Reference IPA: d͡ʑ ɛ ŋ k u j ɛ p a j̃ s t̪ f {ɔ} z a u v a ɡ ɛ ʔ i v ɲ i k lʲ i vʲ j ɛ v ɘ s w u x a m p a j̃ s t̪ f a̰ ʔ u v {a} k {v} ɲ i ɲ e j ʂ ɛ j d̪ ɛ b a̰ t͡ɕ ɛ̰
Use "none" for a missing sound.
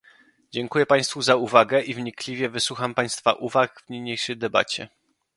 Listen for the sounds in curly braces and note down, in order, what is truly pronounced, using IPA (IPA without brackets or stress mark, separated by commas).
u, a, v